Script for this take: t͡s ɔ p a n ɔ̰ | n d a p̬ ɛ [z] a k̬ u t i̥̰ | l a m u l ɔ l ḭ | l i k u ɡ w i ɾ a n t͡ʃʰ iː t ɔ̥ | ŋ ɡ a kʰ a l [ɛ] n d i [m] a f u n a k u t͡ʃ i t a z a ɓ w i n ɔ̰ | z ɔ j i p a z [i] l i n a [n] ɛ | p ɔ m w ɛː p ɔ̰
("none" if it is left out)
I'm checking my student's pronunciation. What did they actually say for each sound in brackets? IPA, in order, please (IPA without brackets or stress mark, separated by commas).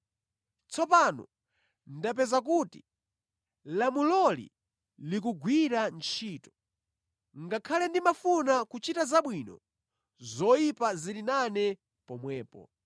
z, ɛ, m, i, n